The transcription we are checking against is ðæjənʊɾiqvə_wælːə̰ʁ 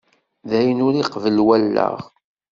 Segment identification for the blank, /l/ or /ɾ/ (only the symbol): l